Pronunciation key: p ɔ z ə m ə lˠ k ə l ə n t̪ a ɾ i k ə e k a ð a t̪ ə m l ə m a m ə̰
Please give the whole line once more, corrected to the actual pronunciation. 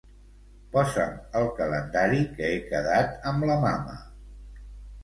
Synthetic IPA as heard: p ɔ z ə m ə lˠ k ə l ə n d̪ a ɾ i k ə e k ə ð a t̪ ə m l ə m a m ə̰